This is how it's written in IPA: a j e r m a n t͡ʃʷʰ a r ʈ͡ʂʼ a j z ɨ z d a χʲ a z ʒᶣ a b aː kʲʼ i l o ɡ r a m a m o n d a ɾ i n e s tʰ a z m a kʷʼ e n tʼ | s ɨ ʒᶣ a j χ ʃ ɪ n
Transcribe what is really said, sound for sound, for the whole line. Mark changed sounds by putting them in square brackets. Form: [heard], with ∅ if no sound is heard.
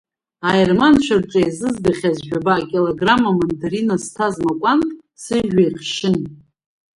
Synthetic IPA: a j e r m a n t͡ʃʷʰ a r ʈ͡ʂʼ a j z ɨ z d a χʲ a z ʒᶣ a b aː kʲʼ i l o ɡ r a m a m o n d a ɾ i n [a] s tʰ a z m a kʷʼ [a] n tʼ | s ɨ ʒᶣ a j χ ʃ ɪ n